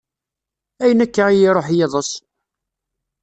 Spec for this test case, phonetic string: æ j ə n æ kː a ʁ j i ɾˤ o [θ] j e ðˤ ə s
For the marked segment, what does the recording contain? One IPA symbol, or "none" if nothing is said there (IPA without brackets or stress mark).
ħ